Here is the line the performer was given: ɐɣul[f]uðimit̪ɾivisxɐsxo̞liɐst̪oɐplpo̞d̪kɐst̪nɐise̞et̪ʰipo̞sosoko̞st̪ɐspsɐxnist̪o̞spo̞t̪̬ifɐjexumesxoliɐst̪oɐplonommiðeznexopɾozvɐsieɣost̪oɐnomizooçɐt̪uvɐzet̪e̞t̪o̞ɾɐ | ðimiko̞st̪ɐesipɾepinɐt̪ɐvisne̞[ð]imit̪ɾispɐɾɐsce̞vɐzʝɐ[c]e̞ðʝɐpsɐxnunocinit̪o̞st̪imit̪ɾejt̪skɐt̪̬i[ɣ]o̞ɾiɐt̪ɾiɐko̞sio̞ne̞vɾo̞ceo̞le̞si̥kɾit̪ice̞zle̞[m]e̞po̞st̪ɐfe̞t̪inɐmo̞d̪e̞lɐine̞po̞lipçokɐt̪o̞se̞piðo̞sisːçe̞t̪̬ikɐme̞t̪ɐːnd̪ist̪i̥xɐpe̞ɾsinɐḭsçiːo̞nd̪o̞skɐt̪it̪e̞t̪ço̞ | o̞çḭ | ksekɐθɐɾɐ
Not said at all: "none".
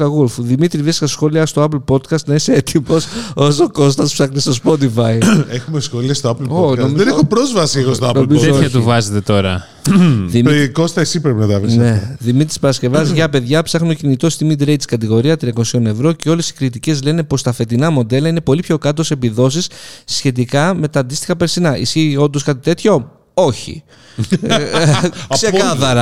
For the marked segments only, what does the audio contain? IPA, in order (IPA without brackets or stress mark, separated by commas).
f, ð, p, ɣ, n